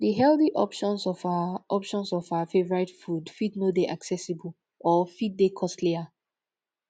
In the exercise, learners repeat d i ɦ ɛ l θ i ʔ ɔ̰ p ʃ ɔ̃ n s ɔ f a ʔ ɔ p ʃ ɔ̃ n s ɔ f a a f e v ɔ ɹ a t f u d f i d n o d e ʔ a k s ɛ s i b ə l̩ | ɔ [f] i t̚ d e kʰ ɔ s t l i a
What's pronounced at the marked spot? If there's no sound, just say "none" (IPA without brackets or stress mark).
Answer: f